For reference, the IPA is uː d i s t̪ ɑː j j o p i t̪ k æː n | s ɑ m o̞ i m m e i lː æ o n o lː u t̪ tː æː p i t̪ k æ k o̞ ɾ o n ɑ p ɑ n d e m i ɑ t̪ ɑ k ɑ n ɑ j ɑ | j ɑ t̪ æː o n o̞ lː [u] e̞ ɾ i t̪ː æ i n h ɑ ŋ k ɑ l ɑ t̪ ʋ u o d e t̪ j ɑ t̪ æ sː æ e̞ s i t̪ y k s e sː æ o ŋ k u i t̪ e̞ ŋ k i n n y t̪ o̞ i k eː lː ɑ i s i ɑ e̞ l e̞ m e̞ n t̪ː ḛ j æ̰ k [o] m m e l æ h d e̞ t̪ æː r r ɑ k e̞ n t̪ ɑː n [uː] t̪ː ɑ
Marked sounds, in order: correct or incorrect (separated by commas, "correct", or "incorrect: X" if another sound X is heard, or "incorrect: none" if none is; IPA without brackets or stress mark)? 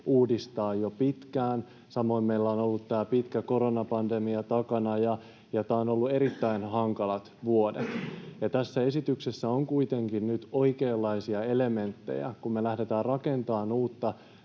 correct, incorrect: u, correct